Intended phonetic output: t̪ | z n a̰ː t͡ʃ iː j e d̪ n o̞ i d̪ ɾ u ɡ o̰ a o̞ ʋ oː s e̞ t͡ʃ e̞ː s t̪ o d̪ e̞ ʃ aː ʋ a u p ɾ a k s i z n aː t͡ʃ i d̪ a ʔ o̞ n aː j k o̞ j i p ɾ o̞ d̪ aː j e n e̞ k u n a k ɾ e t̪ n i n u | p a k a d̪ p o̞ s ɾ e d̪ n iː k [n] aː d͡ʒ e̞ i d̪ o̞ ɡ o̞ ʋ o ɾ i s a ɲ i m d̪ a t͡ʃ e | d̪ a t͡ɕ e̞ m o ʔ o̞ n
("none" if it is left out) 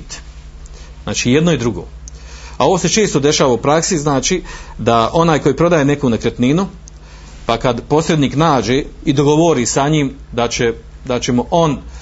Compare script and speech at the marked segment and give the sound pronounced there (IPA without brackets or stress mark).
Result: n